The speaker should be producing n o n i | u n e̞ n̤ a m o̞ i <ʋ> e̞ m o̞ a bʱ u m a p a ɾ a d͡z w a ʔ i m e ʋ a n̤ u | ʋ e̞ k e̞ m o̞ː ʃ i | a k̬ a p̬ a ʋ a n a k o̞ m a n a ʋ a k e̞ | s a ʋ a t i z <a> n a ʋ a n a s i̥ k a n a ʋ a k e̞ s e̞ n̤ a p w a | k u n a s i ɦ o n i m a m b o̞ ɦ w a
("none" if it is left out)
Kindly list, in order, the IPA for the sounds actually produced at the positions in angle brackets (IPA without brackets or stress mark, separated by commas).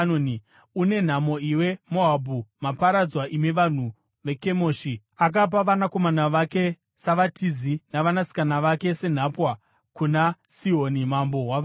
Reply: w, i